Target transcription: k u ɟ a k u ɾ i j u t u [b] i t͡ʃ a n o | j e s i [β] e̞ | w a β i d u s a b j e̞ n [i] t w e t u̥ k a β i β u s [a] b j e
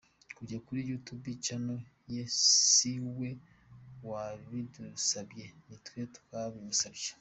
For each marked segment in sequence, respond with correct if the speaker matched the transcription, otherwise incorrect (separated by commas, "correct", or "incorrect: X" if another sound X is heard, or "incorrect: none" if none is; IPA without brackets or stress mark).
correct, incorrect: w, correct, correct